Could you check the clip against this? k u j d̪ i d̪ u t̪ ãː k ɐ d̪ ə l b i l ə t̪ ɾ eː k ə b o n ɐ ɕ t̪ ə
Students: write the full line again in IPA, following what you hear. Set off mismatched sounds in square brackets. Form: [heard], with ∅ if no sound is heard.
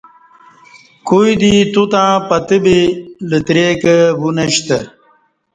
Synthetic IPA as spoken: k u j d̪ i [t̪] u t̪ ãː [p] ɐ [t̪] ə [∅] b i l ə t̪ ɾ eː k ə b [u] n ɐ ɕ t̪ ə

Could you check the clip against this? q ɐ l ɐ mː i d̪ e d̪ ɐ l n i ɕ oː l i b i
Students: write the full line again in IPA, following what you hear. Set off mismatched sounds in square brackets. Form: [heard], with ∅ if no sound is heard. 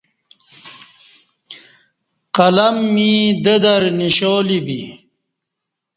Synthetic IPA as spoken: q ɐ l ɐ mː i d̪ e d̪ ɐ [ɾ] n i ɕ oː l i b i

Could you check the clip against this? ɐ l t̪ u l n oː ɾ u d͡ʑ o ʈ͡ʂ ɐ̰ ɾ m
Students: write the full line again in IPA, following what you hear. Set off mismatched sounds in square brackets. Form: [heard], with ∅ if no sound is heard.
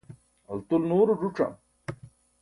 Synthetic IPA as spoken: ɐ l t̪ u l n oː ɾ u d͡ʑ [u] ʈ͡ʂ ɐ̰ [∅] m

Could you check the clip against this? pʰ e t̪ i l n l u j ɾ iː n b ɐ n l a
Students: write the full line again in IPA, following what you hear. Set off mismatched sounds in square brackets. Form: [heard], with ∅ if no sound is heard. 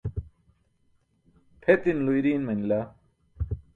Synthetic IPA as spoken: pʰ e t̪ i [∅] n l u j ɾ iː n [m] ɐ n l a

